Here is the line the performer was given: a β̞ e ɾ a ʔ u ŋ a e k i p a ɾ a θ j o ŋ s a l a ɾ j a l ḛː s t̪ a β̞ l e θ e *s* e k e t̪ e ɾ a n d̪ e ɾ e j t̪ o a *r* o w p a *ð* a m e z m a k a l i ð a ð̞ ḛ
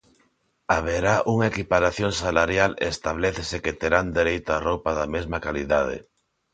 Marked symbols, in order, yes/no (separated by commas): yes, yes, yes